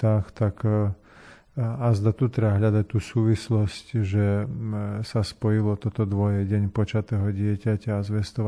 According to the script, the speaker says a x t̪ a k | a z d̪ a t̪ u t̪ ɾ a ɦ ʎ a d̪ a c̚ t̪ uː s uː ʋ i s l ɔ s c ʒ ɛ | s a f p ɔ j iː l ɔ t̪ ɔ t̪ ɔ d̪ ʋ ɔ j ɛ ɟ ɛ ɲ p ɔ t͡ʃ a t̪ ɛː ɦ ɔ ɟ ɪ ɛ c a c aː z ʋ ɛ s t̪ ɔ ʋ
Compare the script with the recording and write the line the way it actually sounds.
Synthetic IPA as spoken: a x t̪ a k | a z d̪ a t̪ u t̪ ɾ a ɦ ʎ a d̪ a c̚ t̪ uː s uː ʋ i s l ɔ s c ʒ ɛ | s a s p ɔ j i l ɔ t̪ ɔ t̪ ɔ d̪ ʋ ɔ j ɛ ɟ ɛ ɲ p ɔ t͡ʃ a t̪ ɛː ɦ ɔ ɟ ɪ ɛ c a c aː z ʋ ɛ s t̪ ɔ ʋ